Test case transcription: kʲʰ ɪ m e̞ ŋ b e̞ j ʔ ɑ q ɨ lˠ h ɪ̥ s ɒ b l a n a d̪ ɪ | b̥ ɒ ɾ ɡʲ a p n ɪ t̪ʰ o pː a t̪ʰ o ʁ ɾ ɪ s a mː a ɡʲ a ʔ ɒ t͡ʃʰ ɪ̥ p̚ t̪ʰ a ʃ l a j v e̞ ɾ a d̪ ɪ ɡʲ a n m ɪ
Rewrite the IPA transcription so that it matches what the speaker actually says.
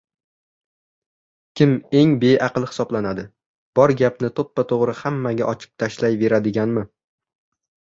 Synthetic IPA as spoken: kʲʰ ɪ m e̞ ŋ b e̞ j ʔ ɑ q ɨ lˠ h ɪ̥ s ɒ b l a n a d̪ ɪ | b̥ ɒ ɾ ɡʲ a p n ɪ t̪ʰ o pː a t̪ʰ o ʁ ɾ ɪ h a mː a ɡʲ a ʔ ɒ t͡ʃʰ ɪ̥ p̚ t̪ʰ a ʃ l a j v e̞ ɾ a d̪ ɪ ɡʲ a n m ɪ